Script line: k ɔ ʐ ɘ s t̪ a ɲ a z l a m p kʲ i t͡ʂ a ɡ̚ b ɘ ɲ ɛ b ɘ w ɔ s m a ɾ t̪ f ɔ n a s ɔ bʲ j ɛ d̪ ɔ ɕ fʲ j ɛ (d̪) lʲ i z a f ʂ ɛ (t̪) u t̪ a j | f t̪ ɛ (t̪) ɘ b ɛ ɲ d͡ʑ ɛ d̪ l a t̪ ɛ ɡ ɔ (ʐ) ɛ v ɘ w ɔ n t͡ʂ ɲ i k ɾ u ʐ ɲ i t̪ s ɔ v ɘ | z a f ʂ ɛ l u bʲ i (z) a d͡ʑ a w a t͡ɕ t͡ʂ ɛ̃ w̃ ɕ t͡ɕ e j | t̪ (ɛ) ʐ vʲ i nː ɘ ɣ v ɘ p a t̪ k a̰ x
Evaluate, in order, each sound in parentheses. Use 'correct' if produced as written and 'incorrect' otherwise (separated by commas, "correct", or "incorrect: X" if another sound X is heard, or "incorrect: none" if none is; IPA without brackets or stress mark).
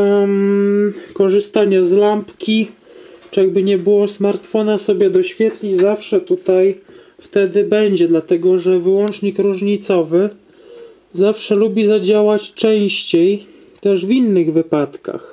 incorrect: t̪, correct, incorrect: d̪, correct, correct, correct